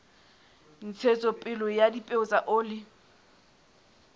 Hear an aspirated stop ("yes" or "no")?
yes